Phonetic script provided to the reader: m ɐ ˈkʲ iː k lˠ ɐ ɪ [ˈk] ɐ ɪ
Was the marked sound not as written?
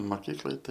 yes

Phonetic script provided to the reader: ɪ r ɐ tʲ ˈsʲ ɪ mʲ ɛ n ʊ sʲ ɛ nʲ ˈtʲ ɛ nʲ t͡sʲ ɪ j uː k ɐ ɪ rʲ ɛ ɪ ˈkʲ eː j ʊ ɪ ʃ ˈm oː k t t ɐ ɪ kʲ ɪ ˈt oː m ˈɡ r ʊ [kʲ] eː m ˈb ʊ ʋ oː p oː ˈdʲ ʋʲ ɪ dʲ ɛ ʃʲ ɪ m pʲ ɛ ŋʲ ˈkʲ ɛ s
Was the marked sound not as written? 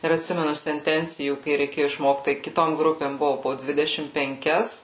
yes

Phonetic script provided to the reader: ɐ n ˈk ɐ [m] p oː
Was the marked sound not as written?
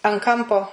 no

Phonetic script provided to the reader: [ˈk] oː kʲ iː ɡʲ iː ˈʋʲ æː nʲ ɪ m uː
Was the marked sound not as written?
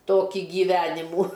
yes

